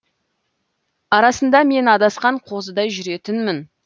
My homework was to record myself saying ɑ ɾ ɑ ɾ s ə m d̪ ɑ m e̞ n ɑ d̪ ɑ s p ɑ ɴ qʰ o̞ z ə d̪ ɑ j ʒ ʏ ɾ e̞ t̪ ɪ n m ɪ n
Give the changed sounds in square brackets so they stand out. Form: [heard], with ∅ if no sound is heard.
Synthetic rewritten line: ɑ ɾ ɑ [∅] s ə [n] d̪ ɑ m e̞ n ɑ d̪ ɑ s [q] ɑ ɴ qʰ o̞ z ə d̪ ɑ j ʒ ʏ ɾ e̞ t̪ ɪ n m ɪ n